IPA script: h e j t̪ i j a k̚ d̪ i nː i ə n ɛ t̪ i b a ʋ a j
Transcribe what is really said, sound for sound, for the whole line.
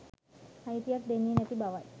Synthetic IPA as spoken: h a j t̪ i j a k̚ d̪ e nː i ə n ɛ t̪ i b a ʋ a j